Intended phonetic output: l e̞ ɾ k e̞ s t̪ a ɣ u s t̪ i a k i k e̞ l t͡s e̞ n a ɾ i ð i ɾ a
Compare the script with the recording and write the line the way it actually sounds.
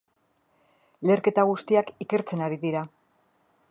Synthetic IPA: l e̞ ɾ k e̞ t̪ a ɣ u s t̪ i a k i k e̞ ɾ t͡s e̞ n a ɾ i ð i ɾ a